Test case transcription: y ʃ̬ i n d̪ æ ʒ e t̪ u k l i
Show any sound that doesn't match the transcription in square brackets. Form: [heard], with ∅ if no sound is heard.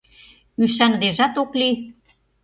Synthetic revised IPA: y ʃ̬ [æ] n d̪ [e] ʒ [æ] t̪ [o] k l i